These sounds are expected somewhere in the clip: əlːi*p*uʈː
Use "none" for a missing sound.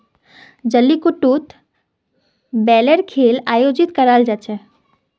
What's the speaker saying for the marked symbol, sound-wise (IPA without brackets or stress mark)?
k